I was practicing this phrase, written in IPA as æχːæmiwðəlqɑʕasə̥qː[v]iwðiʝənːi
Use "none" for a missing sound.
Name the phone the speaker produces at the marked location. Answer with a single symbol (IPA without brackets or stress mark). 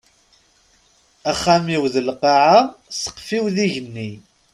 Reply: f